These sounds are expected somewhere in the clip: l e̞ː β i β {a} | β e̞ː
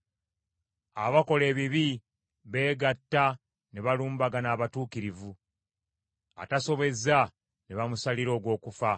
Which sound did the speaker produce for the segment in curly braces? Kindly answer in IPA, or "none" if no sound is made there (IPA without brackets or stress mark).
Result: i